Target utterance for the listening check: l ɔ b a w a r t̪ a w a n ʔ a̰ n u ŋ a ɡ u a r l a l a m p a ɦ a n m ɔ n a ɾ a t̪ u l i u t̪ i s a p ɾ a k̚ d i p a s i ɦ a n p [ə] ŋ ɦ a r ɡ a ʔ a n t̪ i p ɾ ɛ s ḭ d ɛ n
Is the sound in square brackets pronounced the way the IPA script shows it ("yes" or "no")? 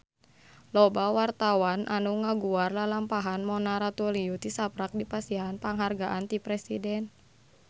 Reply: no